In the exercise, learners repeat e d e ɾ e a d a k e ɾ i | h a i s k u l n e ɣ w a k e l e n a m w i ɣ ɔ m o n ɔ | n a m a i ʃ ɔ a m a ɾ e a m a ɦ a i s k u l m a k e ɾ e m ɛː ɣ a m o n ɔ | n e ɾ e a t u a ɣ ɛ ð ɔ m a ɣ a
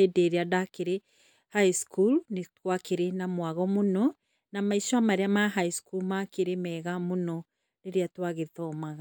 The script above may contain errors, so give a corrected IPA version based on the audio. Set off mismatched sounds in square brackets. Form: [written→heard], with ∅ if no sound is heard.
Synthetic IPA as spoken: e d e ɾ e a d a k e ɾ [i→e] | h a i s k u l n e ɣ w a k e [l→ɾ] e n a m w [i→a] ɣ ɔ m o n ɔ | n a m a i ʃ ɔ a m a ɾ e a m a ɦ a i s k u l m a k e ɾ e m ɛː ɣ a m o n ɔ | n e ɾ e a t [u→w] a ɣ [ɛ→e] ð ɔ m a ɣ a

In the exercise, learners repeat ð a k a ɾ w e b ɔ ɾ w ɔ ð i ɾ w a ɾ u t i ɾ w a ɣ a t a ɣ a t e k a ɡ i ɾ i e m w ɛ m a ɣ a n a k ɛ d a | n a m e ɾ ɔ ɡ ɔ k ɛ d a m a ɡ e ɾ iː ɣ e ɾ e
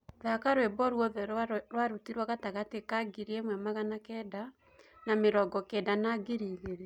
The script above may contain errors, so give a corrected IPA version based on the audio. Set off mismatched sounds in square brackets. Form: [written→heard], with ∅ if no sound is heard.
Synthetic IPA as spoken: ð a k a ɾ w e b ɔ ɾ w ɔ ð [i→ɛ] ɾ w a ɾ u t i ɾ w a ɣ a t a ɣ a t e k a ɡ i ɾ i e m w ɛ m a ɣ a n a k ɛ d a | n a m e ɾ ɔ ɡ ɔ k ɛ d a [m→n] a ɡ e ɾ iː ɣ e ɾ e

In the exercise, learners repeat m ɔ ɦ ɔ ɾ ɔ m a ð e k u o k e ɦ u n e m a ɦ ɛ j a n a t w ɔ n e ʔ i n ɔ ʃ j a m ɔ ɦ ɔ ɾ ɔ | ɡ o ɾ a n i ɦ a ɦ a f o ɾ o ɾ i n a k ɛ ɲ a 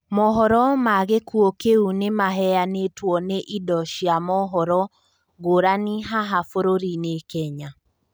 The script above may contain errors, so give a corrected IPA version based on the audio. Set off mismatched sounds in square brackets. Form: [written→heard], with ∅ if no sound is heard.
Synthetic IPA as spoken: m ɔ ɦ ɔ ɾ ɔ m a [ð→ɣ] e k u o k e [ɦ→∅] u n e m a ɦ ɛ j a n [a→e] t w ɔ n e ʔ i [n→d] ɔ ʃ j a m ɔ ɦ ɔ ɾ ɔ | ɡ o ɾ a n i ɦ a ɦ a f o ɾ o ɾ i n [a→e] k ɛ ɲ a

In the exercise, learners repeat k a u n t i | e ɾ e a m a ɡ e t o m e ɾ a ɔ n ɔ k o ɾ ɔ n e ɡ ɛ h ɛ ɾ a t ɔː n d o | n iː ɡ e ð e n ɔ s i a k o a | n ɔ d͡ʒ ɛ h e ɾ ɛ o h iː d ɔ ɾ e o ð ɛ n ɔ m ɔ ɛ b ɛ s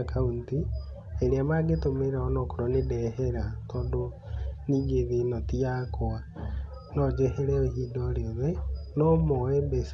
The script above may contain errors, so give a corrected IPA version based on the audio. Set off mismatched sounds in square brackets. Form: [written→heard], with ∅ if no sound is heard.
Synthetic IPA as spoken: k a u n t i | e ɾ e a m a ɡ e t o m e ɾ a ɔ n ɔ k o ɾ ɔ n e [ɡ→d] ɛ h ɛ ɾ a t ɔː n d o | n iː ɡ e ð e n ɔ [s→t] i a k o a | n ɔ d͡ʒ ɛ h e ɾ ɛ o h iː d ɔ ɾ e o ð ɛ n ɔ m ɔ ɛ b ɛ s

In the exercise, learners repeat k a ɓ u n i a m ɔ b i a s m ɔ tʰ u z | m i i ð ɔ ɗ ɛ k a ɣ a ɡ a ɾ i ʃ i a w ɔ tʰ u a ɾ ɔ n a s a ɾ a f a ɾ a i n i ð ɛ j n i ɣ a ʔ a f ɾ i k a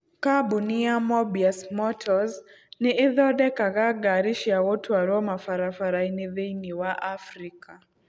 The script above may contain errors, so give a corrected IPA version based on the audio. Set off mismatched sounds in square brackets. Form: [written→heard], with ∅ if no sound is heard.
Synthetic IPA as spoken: k a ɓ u n i a m ɔ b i a s m ɔ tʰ [u→ɔ] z | [m→n] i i ð ɔ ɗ ɛ k a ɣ a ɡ a ɾ i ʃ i a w ɔ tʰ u a ɾ ɔ [n→m] a [s→f] a ɾ a f a ɾ a i n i ð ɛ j n i [ɣ→w] a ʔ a f ɾ i k a

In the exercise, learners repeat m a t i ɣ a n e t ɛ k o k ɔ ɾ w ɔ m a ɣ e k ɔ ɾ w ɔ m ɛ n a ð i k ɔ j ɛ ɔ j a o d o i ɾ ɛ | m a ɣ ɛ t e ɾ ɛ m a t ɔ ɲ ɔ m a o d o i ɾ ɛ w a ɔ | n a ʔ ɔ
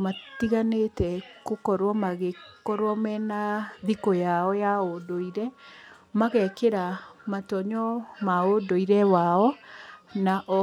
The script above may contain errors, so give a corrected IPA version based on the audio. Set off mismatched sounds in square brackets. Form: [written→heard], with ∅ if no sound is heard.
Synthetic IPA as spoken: m a t i ɣ a n e t ɛ k o k ɔ ɾ w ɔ m a ɣ e k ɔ ɾ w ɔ m ɛ n a ð i k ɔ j [ɛ→a] ɔ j a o d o i ɾ ɛ | m a ɣ ɛ [t→k] e ɾ [ɛ→a] m a t ɔ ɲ ɔ m a o d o i ɾ ɛ w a ɔ | n a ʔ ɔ

